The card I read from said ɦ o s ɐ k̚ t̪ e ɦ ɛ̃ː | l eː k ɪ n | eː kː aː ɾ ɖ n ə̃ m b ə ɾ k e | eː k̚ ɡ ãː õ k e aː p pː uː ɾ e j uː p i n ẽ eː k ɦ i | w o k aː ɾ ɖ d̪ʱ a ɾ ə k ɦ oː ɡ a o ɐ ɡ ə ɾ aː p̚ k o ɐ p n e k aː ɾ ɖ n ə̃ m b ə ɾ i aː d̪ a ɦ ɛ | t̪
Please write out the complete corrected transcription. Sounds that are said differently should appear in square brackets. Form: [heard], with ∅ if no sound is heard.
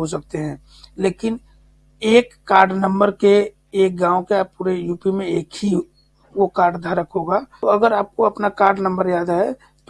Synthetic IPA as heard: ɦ o s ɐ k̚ t̪ e ɦ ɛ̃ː | l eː k ɪ n | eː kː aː ɾ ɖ n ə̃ m b ə ɾ k e | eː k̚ ɡ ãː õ k e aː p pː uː ɾ e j uː p i [m] ẽ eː k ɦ i | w o k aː ɾ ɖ d̪ʱ a ɾ ə k ɦ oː ɡ a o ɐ ɡ ə ɾ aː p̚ k o ɐ p n [a] k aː ɾ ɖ n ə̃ m b ə ɾ [j] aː d̪ a ɦ ɛ | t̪